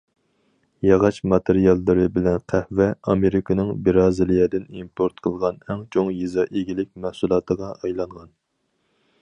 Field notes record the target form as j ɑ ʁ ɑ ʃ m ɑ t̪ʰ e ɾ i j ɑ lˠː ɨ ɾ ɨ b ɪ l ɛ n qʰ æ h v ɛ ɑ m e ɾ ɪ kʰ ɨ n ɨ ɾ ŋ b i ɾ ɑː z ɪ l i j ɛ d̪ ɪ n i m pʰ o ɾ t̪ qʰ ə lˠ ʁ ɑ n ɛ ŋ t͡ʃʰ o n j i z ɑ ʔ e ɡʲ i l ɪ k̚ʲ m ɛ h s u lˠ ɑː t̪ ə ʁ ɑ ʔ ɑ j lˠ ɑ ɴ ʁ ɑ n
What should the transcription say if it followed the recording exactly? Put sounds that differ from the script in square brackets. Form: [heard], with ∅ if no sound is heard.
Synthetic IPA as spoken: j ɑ ʁ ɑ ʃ m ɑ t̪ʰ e ɾ i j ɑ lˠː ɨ ɾ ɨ b ɪ l ɛ n qʰ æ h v ɛ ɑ m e ɾ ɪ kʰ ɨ n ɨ [∅] ŋ b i ɾ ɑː z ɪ l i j ɛ d̪ ɪ n i m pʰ o ɾ t̪ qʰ ə lˠ ʁ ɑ n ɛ ŋ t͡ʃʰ o [ŋ] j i z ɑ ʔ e ɡʲ i l ɪ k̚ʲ m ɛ h s u lˠ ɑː t̪ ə ʁ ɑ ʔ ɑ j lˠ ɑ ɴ ʁ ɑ n